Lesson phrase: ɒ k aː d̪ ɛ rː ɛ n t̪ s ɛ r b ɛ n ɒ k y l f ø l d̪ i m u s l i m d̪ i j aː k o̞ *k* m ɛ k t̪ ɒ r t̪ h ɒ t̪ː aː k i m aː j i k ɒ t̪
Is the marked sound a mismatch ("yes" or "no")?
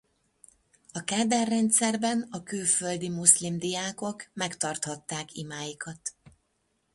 no